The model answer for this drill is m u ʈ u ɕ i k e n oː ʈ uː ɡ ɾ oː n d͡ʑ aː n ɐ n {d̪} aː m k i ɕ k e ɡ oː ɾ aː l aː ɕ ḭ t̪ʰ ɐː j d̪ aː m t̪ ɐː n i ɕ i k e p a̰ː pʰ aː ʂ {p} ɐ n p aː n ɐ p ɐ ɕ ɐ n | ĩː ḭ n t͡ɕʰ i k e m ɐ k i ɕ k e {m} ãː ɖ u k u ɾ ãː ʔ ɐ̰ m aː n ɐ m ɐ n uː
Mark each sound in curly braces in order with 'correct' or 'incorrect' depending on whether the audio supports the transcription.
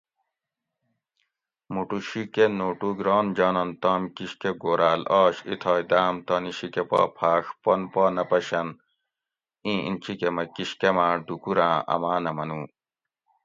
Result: incorrect, correct, correct

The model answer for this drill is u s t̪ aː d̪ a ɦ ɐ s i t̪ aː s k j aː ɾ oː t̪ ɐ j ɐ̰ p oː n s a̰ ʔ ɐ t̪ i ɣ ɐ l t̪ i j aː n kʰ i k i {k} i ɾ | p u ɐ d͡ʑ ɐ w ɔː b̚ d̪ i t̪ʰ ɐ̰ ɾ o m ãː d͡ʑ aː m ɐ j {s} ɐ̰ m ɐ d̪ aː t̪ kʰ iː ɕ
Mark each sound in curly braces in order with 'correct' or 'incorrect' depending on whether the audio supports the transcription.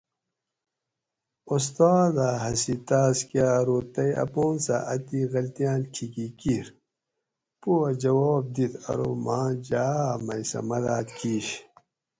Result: correct, correct

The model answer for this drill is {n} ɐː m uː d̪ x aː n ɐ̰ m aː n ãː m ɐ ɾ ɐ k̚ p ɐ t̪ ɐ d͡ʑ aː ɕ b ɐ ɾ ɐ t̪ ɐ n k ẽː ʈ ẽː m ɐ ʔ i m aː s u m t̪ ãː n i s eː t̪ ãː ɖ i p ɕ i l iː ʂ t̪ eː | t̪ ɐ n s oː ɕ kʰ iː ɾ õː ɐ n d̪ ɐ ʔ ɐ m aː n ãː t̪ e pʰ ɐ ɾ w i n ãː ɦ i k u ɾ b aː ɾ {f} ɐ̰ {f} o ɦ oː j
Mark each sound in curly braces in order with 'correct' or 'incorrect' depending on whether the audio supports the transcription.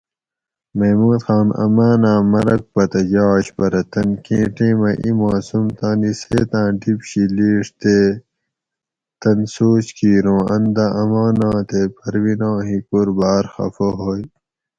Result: incorrect, incorrect, correct

